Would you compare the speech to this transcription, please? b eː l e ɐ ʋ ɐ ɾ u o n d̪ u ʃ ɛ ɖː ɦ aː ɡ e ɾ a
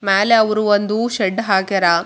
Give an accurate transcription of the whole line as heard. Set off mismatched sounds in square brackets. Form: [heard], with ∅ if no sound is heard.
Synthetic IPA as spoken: [m] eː l e ɐ ʋ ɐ ɾ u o n d̪ u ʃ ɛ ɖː ɦ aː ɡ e ɾ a